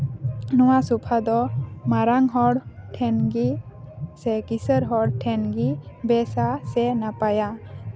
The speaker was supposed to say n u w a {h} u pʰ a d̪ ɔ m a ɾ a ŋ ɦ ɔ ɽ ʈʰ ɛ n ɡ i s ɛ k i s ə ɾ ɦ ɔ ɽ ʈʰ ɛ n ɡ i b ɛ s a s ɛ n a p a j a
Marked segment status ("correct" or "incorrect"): incorrect